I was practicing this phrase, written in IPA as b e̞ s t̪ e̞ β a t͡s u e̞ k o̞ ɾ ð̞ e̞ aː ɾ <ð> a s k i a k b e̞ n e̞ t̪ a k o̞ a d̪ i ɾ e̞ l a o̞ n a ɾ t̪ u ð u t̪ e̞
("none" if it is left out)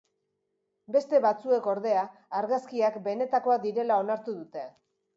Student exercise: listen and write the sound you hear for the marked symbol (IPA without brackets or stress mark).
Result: ɣ